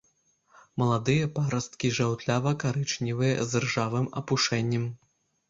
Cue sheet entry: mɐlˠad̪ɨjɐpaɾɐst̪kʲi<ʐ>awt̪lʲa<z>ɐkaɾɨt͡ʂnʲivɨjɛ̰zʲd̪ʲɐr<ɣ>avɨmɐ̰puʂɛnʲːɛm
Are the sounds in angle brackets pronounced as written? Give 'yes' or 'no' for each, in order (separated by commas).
yes, no, no